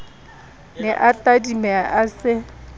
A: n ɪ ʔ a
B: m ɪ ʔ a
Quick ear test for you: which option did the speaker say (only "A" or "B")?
A